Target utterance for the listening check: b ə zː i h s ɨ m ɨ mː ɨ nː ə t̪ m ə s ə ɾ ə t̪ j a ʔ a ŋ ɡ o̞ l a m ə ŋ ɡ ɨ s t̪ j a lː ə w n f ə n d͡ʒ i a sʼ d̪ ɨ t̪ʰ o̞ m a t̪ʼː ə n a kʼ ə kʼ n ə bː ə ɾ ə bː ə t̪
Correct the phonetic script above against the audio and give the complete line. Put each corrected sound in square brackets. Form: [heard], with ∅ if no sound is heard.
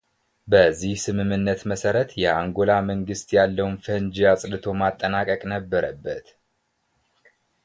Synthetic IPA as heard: b ə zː i h s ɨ m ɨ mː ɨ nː ə t̪ m ə s ə ɾ ə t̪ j [ɛ] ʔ a ŋ ɡ o̞ l a m ə ŋ ɡ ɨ s t̪ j a lː ə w n f ə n d͡ʒ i a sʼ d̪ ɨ t̪ʰ o̞ m a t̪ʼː ə n a kʼ ə kʼ n ə bː ə ɾ ə bː ə t̪

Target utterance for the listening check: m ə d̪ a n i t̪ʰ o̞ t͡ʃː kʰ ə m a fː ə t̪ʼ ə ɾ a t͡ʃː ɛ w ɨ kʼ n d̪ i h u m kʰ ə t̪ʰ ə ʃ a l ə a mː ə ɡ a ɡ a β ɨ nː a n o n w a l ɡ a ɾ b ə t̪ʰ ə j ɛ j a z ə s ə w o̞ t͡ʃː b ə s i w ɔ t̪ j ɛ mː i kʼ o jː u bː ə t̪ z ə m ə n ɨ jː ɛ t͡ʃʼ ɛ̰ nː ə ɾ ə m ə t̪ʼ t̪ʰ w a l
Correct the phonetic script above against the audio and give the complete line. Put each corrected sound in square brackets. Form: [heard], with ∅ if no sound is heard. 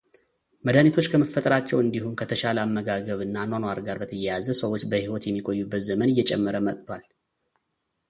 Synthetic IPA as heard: m ə d̪ a n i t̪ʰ o̞ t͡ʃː kʰ ə m [ə] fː ə t̪ʼ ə ɾ a t͡ʃː ɛ w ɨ [∅] n d̪ i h u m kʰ ə t̪ʰ ə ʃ a l ə a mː ə ɡ a ɡ [ə] β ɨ nː a n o n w a [ɾ] ɡ a ɾ b ə t̪ʰ ə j ɛ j a z ə s ə w o̞ t͡ʃː b ə [h] i w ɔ t̪ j ɛ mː i kʼ o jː u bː ə t̪ z ə m ə n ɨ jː ɛ t͡ʃʼ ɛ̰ [mː] ə ɾ ə m ə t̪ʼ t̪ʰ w a l

